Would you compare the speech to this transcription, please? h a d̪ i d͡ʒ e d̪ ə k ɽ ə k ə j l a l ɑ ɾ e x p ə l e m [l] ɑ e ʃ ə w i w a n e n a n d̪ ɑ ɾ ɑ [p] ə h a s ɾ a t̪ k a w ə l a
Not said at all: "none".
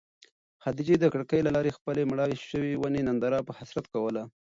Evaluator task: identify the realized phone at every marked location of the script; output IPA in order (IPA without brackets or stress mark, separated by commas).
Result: ɽ, p